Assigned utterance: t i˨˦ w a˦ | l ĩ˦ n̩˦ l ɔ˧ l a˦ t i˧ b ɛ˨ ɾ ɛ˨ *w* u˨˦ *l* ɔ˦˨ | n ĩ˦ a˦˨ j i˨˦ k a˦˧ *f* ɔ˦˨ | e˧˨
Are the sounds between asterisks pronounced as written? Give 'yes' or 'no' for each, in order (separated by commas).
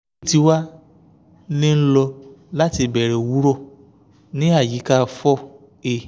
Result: yes, no, yes